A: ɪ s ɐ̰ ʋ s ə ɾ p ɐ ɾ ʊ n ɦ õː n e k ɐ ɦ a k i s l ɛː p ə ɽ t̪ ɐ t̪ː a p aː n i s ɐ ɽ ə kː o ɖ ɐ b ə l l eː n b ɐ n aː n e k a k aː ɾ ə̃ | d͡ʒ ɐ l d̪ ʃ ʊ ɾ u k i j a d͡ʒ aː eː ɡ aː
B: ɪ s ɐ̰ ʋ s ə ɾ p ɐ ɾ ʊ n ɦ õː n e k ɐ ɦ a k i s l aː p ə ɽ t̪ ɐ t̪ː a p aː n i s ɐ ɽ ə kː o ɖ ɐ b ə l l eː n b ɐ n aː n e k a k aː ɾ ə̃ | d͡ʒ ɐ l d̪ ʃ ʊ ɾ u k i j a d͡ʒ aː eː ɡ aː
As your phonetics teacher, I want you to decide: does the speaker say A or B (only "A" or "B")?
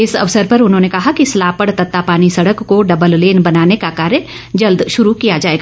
B